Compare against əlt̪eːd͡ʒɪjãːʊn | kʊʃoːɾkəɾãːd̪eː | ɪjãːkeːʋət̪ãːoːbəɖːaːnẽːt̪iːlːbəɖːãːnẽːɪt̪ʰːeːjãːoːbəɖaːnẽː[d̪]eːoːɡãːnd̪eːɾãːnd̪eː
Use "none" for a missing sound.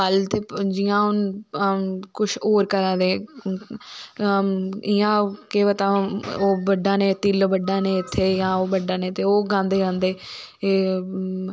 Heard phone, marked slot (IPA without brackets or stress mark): t̪